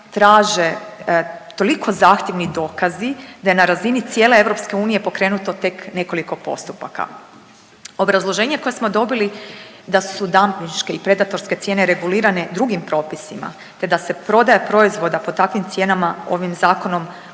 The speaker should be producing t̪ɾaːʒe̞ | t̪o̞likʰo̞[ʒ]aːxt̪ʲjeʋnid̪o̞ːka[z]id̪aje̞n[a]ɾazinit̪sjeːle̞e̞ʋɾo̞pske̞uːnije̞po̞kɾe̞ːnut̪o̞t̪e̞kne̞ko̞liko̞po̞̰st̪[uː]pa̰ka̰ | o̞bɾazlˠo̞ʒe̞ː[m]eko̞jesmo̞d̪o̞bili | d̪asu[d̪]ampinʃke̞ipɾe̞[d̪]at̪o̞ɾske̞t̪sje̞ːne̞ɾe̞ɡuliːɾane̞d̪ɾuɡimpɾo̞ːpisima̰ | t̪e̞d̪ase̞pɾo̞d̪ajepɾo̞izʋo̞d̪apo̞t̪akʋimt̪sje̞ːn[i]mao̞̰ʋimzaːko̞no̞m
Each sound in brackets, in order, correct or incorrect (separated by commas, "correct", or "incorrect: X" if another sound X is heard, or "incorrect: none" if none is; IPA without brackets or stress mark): incorrect: z, correct, correct, incorrect: u, incorrect: ɲ, correct, correct, incorrect: a